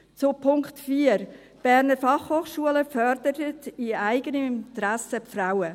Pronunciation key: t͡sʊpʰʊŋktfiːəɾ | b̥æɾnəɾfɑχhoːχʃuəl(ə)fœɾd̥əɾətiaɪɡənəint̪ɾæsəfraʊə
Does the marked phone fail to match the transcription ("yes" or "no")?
no